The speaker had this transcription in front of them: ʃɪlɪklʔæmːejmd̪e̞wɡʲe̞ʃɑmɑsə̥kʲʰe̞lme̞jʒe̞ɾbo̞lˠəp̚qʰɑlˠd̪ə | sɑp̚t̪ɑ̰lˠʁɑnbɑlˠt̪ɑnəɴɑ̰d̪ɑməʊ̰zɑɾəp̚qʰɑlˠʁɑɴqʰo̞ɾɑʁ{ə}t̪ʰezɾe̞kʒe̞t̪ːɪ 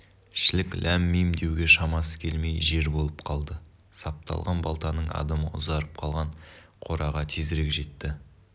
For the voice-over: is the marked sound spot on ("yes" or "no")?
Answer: no